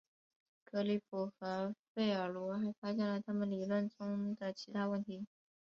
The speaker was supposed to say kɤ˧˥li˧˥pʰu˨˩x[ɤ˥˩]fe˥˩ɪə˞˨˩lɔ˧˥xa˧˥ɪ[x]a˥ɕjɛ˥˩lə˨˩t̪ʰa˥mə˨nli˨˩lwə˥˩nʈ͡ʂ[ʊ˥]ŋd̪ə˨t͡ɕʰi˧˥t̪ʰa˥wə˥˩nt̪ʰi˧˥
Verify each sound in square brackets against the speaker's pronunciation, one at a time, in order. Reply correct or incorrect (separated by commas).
incorrect, incorrect, correct